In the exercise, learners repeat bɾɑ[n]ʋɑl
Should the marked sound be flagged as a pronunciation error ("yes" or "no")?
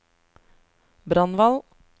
no